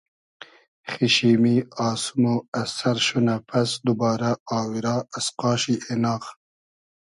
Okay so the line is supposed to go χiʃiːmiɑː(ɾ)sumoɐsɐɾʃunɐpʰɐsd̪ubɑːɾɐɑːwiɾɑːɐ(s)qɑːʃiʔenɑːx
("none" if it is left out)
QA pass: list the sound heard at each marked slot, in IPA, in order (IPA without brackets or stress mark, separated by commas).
none, s